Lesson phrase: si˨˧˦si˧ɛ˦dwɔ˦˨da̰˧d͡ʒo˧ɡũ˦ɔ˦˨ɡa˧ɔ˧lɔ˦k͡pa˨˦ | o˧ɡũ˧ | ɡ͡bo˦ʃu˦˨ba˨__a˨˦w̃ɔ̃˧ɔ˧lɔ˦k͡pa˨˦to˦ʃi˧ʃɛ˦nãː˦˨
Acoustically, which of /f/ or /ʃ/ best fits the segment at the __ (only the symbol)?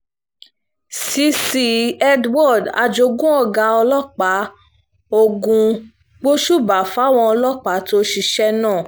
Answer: f